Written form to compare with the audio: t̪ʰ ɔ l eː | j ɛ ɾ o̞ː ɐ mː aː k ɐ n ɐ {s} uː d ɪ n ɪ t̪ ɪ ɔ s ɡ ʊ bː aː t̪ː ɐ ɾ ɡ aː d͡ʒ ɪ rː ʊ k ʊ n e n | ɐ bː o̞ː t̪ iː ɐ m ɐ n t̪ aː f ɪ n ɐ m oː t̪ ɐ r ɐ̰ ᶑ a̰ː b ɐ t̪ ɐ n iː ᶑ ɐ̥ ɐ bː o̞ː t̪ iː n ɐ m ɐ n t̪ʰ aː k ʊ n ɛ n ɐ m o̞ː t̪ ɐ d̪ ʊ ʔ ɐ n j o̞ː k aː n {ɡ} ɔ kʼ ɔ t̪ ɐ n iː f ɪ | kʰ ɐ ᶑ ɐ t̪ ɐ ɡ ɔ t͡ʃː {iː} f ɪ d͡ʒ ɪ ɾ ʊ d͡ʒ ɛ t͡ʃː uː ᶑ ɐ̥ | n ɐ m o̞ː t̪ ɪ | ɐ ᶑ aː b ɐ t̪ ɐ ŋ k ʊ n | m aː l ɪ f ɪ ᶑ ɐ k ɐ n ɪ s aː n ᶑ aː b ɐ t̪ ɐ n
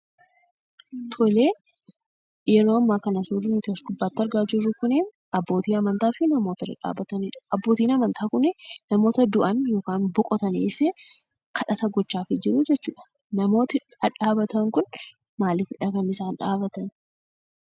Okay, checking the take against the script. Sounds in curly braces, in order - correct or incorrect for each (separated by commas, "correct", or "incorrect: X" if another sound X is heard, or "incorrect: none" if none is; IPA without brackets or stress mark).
correct, incorrect: b, incorrect: aː